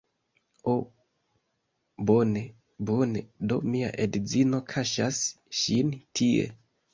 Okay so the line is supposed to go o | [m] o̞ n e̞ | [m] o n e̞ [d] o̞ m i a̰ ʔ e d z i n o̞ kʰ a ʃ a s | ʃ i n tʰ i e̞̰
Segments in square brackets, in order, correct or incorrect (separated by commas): incorrect, incorrect, correct